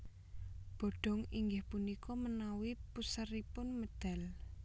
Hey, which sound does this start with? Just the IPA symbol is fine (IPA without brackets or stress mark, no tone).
b̥